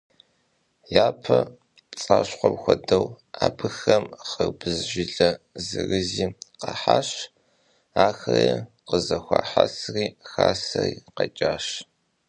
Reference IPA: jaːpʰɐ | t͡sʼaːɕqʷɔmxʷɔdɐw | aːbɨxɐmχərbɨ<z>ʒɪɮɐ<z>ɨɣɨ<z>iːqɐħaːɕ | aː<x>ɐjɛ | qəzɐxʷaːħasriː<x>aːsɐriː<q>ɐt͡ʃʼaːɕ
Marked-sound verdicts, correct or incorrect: correct, correct, correct, correct, correct, correct

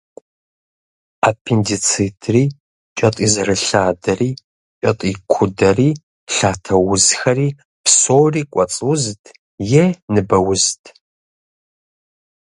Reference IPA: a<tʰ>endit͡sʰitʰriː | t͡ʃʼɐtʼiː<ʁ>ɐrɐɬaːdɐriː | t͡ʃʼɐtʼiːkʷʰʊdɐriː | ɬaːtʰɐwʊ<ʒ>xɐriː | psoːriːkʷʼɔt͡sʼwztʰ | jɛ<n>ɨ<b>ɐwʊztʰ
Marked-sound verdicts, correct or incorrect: incorrect, incorrect, incorrect, correct, correct

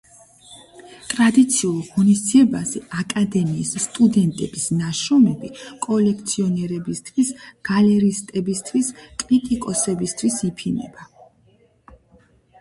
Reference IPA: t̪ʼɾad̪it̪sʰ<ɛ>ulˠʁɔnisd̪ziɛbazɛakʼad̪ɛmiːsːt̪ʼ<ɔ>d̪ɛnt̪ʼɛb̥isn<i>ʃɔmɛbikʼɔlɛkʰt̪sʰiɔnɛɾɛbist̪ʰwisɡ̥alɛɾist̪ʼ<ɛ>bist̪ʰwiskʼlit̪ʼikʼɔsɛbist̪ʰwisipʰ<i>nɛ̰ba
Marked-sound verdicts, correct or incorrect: incorrect, incorrect, incorrect, correct, correct

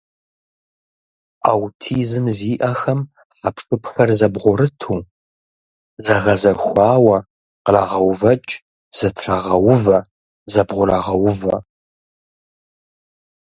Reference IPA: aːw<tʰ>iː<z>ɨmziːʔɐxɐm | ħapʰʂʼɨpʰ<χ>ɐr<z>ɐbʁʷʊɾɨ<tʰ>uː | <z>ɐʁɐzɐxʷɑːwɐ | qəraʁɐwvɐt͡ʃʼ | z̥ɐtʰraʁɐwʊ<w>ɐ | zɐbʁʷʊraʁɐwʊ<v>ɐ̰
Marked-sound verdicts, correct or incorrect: correct, correct, incorrect, correct, correct, correct, incorrect, correct

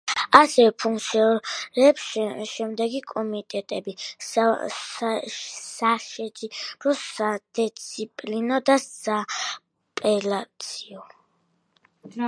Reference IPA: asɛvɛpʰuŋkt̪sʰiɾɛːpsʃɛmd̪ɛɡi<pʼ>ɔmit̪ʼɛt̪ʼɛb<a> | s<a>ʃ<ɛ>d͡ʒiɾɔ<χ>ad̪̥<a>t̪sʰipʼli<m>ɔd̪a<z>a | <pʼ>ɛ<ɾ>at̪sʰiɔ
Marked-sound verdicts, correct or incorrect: incorrect, incorrect, correct, correct, incorrect, incorrect, incorrect, incorrect, correct, incorrect

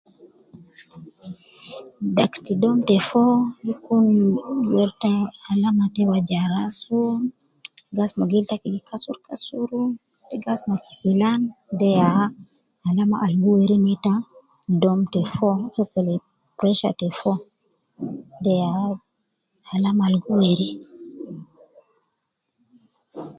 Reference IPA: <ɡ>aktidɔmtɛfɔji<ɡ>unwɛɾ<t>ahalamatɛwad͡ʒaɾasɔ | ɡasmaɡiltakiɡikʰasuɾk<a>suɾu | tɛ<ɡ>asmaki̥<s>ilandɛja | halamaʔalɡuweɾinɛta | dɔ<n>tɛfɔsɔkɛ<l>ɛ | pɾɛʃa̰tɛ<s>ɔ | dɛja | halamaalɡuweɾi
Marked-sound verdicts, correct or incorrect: incorrect, incorrect, correct, correct, correct, correct, incorrect, correct, incorrect

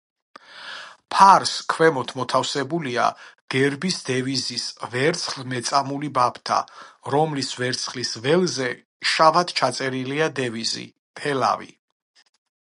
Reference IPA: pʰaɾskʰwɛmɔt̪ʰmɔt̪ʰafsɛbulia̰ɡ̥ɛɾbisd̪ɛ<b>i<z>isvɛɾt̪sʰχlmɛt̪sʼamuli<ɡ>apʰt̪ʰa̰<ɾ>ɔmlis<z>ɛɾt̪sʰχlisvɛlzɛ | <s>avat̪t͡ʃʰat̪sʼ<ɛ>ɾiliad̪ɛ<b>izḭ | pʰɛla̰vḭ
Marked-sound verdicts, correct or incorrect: incorrect, correct, incorrect, correct, incorrect, incorrect, correct, incorrect

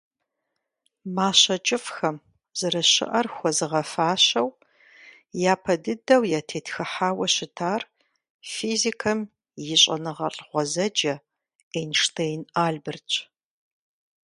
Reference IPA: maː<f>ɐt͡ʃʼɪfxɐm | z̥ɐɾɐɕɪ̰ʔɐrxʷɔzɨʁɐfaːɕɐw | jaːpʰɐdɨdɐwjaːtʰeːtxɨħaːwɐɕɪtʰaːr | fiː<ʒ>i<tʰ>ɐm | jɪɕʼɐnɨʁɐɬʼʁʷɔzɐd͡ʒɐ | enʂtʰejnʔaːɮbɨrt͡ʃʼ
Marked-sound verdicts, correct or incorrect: incorrect, incorrect, incorrect

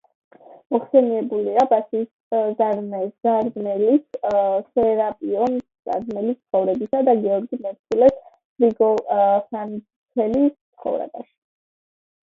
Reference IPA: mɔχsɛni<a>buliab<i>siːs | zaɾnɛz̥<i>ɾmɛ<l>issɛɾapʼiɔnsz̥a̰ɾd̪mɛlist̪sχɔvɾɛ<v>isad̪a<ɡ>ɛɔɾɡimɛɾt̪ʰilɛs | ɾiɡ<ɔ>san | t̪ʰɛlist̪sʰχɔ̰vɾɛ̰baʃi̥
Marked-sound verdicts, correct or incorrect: incorrect, incorrect, incorrect, correct, incorrect, correct, correct

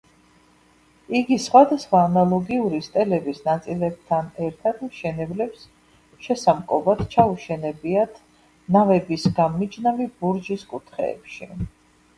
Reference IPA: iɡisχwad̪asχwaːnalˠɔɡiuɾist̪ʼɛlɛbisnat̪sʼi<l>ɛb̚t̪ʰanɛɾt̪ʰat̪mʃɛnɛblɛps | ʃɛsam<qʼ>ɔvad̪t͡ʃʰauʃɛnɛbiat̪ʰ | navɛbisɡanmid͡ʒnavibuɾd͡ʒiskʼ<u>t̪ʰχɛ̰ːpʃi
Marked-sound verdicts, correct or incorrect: correct, incorrect, correct

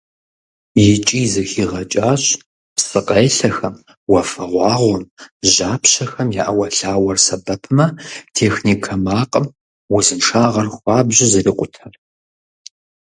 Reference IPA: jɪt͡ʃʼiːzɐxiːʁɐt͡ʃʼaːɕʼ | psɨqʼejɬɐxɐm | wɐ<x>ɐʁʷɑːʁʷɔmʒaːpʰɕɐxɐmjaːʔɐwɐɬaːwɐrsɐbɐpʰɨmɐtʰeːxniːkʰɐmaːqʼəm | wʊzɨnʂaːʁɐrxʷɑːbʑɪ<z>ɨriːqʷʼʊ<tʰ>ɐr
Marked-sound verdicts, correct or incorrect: incorrect, correct, correct

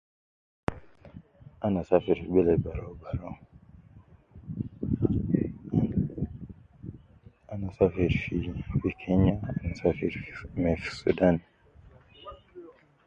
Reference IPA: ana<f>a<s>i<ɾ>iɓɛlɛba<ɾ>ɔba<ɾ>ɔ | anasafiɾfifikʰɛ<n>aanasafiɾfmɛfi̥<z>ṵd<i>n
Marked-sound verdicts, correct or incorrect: incorrect, incorrect, correct, correct, correct, incorrect, incorrect, incorrect

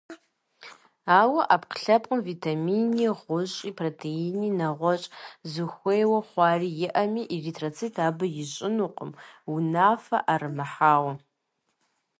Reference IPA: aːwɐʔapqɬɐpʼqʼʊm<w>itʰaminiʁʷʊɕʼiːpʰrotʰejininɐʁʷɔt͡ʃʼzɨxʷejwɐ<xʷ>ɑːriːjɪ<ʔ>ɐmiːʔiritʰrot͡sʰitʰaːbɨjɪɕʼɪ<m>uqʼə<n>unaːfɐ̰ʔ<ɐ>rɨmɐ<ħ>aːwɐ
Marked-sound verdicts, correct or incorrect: incorrect, incorrect, correct, incorrect, incorrect, incorrect, correct

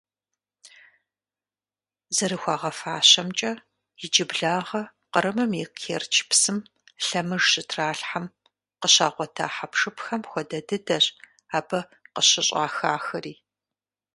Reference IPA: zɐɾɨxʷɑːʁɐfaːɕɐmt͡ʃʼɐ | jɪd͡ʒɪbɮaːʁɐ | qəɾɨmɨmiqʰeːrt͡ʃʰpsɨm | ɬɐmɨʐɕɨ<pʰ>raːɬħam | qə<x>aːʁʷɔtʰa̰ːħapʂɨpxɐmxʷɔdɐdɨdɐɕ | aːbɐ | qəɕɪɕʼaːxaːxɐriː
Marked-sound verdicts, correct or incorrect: incorrect, incorrect

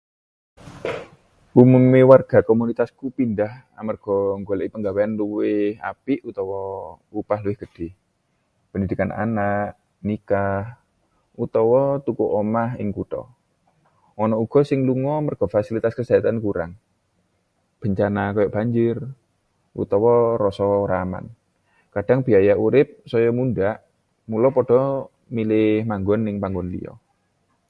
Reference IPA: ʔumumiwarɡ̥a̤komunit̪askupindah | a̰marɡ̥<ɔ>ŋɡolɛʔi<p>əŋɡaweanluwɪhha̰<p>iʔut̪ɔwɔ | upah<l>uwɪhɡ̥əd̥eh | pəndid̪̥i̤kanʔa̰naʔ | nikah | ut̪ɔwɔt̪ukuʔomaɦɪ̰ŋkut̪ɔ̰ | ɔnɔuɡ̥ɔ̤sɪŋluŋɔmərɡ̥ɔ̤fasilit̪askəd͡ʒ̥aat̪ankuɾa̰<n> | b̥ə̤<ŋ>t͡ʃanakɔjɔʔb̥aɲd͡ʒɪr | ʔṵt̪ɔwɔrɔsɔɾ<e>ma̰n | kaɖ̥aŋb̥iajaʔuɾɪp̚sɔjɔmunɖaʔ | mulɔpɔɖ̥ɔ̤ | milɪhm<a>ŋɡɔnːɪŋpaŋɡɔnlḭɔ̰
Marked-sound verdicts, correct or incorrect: correct, correct, correct, correct, incorrect, incorrect, incorrect, correct

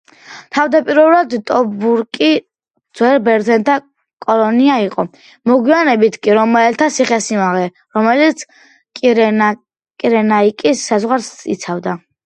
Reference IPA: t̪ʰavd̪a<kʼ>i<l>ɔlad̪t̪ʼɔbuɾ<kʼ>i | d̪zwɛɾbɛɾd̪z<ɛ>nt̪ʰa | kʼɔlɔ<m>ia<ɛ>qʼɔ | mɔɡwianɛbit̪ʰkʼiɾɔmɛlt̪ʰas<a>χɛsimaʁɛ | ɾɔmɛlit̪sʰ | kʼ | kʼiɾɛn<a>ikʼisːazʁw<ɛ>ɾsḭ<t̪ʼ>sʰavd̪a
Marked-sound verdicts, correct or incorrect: incorrect, incorrect, correct, correct, incorrect, incorrect, incorrect, correct, incorrect, incorrect

